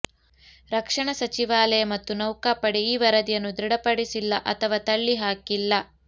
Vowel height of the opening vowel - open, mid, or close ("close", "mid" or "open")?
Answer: open